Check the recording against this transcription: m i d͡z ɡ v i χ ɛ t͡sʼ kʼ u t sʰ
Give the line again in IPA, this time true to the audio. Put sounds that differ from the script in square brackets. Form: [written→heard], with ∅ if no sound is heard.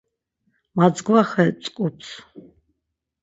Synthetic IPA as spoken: m [i→a] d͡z ɡ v [i→a] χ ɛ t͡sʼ kʼ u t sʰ

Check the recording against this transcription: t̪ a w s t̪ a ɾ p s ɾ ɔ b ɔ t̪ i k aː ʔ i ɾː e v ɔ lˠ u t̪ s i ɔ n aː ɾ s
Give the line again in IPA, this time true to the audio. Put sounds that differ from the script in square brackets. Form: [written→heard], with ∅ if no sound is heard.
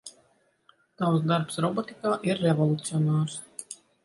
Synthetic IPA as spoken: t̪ a w s [t̪→d̪] a ɾ p s ɾ ɔ b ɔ t̪ i k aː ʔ i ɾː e v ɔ lˠ u t̪ s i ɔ n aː ɾ s

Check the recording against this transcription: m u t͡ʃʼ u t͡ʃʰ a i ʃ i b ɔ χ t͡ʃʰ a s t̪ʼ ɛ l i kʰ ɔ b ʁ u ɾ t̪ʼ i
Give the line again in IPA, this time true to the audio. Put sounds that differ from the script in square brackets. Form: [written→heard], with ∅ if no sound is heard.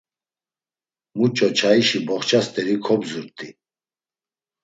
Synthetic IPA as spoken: m u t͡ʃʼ [u→ɔ] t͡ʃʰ a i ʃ i b ɔ χ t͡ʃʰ a s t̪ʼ ɛ [l→ɾ] i kʰ ɔ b [ʁ→z] u ɾ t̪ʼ i

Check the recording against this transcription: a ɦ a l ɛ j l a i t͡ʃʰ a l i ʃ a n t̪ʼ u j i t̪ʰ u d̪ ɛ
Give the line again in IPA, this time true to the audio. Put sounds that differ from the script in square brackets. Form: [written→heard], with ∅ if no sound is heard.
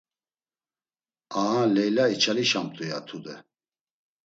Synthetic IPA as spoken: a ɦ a l ɛ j l a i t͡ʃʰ a l i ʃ a [n→m] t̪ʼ u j [i→a] t̪ʰ u d̪ ɛ

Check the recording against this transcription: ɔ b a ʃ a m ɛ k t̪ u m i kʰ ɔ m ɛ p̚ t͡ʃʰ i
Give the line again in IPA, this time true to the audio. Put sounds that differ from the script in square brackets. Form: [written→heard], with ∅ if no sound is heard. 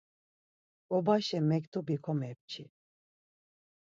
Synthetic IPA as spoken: ɔ b a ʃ [a→ɛ] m ɛ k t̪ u [m→b] i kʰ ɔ m ɛ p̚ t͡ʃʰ i

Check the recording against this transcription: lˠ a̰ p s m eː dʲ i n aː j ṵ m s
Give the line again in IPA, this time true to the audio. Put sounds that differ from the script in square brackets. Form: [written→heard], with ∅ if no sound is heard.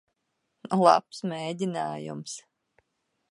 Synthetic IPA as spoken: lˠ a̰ p s m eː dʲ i n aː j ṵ m s

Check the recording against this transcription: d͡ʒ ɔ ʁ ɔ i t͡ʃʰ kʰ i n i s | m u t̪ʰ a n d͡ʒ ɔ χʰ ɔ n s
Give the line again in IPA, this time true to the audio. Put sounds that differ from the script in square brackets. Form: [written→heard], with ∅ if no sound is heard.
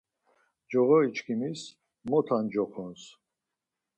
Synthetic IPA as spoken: d͡ʒ ɔ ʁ ɔ i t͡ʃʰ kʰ i [n→m] i s | m [u→ɔ] t̪ʰ a n d͡ʒ ɔ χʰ ɔ n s

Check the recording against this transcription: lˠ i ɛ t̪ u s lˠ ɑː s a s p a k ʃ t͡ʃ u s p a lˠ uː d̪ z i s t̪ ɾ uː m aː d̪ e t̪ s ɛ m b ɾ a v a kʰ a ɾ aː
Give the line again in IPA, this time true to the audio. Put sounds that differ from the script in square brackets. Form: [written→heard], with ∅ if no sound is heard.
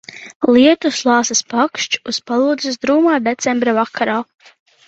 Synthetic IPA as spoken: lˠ i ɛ t̪ u s lˠ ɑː s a s p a k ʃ t͡ʃ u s p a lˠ uː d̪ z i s [t̪→d̪] ɾ uː m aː d̪ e t̪ s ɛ m b ɾ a v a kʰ a ɾ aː

